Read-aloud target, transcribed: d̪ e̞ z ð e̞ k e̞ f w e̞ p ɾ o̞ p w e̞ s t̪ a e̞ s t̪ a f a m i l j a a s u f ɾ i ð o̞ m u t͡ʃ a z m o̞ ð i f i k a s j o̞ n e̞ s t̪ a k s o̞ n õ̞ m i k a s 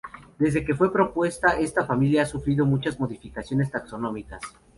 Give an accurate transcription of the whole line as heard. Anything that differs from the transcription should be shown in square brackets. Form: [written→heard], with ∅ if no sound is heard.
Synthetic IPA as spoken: d̪ e̞ z ð e̞ k e̞ f w e̞ p ɾ o̞ p w e̞ s t̪ a e̞ s t̪ a f a m i l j a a s u f ɾ i ð o̞ m u t͡ʃ a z m o̞ ð i f i k a s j o̞ n e̞ s t̪ a k s o̞ n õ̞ m i k a s